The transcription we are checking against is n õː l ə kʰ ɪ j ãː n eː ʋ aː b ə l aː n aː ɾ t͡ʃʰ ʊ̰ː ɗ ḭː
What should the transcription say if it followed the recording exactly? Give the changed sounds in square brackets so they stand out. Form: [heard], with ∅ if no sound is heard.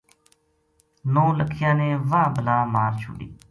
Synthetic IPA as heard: n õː l ə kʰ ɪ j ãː n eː ʋ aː b ə l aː [m] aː ɾ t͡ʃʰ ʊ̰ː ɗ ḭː